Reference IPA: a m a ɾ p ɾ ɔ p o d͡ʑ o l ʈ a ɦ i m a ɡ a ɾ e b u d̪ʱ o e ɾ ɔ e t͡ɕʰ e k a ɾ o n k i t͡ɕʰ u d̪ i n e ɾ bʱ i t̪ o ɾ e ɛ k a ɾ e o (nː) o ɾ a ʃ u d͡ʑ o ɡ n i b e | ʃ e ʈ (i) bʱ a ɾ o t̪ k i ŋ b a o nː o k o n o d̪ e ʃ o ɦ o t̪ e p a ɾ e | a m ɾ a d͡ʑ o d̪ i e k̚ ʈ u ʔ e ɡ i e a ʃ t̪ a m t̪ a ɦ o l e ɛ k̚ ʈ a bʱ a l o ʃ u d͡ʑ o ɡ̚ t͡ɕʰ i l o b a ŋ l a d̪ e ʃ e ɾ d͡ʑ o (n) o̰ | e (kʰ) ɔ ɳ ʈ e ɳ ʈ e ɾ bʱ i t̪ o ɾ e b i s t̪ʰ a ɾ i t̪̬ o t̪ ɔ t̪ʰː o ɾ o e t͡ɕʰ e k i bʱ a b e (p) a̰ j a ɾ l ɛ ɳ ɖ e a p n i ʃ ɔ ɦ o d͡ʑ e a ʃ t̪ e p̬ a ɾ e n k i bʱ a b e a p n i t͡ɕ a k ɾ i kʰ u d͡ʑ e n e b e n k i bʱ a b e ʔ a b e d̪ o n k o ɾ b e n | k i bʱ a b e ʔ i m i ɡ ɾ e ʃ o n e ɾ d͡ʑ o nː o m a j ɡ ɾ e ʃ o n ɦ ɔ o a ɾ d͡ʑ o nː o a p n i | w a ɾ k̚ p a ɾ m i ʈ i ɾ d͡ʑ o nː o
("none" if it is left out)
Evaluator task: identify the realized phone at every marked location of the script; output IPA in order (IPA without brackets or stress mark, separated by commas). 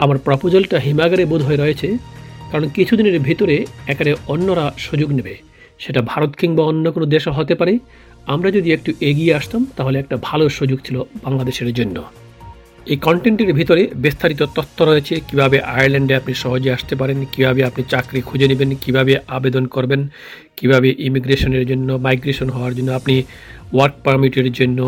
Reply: nː, a, nː, k, ʔ